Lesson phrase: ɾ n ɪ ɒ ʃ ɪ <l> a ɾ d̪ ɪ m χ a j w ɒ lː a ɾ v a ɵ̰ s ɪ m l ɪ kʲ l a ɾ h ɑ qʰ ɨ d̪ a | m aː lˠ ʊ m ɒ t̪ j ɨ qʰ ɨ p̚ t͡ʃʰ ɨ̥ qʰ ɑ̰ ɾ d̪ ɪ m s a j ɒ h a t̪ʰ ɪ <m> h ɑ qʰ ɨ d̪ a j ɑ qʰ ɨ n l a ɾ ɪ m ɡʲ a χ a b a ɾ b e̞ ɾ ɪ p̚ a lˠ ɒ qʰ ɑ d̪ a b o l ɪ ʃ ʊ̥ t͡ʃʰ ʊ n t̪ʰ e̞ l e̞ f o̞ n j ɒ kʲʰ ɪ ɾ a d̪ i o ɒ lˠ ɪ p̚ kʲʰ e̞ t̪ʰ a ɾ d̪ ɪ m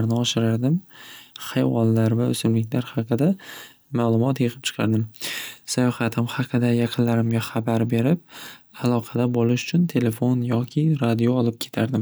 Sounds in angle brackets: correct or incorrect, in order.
incorrect: ɾ, correct

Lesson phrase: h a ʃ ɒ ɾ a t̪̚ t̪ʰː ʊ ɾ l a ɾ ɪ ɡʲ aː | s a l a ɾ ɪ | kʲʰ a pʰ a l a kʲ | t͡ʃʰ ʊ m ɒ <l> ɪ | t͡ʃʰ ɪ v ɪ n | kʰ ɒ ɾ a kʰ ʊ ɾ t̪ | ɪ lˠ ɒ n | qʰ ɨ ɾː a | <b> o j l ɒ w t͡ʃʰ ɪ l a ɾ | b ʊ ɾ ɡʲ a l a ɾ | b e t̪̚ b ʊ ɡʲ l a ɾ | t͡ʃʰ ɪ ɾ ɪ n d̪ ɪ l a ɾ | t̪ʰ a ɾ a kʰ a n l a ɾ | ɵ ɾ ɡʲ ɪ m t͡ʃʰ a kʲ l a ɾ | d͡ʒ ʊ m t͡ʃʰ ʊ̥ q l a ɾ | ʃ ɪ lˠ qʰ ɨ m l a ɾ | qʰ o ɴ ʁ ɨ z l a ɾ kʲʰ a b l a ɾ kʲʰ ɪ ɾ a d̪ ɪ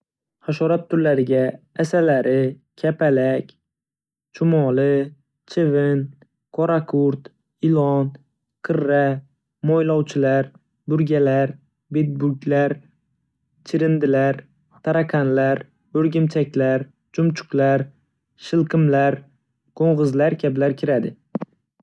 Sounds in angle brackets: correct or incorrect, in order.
correct, incorrect: m

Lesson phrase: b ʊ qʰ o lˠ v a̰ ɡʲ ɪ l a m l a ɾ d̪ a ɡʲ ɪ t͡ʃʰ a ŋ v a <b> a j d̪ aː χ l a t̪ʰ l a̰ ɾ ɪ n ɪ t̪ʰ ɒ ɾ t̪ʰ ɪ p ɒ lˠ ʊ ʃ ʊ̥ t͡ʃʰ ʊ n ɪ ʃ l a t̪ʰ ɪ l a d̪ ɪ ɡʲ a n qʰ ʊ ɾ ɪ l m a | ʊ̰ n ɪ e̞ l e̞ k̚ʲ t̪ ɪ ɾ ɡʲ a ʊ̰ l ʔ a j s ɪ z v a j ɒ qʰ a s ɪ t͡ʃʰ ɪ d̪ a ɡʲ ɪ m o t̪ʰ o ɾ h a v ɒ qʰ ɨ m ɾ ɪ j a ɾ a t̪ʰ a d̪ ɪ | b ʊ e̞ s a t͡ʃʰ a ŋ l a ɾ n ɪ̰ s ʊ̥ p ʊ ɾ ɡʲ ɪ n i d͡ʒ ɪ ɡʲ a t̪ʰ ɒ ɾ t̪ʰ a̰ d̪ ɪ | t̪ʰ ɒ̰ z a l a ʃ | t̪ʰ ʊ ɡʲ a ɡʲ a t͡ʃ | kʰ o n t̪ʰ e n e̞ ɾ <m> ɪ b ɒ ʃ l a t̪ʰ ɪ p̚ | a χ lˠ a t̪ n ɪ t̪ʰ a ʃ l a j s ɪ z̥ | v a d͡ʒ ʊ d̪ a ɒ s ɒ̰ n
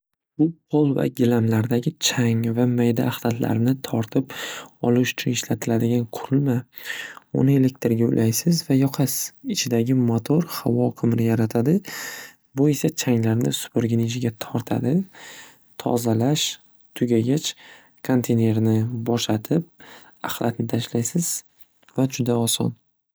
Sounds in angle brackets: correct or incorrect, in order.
incorrect: m, incorrect: n

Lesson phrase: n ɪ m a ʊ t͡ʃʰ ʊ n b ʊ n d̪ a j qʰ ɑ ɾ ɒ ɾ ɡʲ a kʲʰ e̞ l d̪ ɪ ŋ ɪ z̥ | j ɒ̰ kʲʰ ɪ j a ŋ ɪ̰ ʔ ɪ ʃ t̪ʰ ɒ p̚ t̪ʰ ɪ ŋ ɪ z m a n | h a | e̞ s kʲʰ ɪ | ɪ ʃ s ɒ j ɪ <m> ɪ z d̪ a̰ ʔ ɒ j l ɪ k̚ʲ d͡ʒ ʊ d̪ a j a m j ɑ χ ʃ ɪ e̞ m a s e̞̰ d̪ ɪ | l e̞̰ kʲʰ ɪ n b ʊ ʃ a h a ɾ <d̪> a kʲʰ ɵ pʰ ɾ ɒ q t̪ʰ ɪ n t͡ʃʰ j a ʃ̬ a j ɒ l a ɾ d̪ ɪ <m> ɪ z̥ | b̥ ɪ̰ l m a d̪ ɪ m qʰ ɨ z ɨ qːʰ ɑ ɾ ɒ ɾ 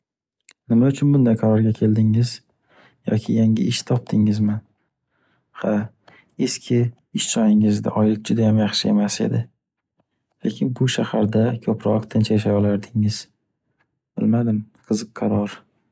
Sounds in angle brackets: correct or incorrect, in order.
incorrect: ŋ, correct, incorrect: ŋ

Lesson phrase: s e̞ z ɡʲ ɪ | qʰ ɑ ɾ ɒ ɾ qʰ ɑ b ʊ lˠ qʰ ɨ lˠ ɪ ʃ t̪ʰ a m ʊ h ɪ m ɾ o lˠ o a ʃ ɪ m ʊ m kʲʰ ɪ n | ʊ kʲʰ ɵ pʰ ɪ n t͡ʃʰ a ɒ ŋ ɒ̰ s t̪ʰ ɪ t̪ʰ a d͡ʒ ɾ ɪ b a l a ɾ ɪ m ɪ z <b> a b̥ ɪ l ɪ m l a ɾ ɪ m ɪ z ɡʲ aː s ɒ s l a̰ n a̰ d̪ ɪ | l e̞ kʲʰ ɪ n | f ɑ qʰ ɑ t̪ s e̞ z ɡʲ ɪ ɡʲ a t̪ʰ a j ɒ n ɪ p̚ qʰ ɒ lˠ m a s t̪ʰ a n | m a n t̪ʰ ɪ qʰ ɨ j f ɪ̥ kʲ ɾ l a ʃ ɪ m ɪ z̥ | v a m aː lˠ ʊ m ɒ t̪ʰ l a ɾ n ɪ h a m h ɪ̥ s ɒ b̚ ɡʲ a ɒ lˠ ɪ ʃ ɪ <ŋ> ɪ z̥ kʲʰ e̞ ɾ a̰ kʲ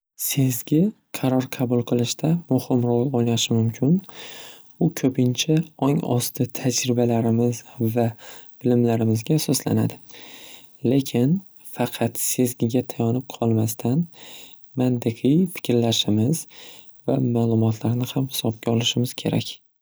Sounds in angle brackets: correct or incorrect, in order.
incorrect: v, incorrect: m

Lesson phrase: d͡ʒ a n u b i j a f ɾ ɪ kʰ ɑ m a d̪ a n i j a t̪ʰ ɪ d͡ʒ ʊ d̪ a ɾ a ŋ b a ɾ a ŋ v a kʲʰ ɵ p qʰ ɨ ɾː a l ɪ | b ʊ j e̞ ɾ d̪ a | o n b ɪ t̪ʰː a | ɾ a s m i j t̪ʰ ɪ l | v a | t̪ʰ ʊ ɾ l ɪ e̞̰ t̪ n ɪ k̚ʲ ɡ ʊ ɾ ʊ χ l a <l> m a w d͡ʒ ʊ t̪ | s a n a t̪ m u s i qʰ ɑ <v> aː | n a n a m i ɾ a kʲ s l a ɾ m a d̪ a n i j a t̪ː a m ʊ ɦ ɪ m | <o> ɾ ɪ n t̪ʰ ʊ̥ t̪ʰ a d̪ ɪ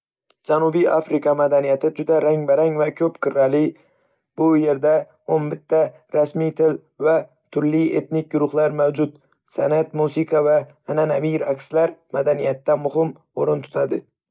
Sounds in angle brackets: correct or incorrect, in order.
incorrect: ɾ, correct, correct

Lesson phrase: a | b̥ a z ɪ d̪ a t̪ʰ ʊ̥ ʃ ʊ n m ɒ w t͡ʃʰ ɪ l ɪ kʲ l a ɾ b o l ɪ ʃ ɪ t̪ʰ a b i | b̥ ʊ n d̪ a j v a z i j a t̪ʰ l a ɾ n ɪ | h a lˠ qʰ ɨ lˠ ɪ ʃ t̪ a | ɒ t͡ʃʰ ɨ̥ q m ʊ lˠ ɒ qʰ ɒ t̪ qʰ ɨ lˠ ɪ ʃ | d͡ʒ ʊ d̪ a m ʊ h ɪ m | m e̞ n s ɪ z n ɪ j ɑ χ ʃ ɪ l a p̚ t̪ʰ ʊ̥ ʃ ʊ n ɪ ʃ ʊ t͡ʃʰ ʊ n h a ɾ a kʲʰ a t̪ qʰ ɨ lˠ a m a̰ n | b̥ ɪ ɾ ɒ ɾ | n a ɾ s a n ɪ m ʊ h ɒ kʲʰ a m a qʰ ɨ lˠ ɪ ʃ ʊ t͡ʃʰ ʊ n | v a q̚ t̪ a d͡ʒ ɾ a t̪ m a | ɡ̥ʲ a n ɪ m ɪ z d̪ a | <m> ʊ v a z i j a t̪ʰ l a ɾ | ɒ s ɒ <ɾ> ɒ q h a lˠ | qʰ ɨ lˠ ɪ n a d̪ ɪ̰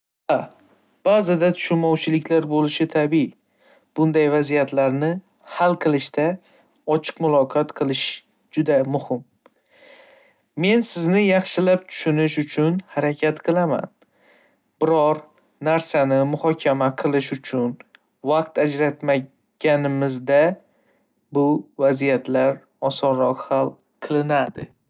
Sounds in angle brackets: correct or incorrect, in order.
incorrect: b, correct

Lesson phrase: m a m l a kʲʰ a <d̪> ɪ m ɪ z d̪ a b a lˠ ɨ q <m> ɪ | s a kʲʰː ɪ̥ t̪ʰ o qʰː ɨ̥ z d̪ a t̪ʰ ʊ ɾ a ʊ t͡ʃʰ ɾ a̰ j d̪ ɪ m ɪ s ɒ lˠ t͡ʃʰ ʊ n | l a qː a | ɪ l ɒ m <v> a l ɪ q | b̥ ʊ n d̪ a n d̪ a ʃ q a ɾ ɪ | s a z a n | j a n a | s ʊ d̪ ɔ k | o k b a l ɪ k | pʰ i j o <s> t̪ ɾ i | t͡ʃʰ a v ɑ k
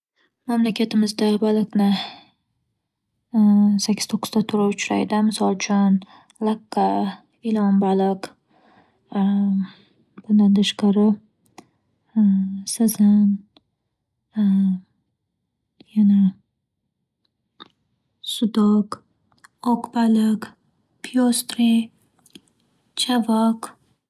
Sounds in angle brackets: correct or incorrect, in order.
incorrect: t̪, incorrect: n, incorrect: b, correct

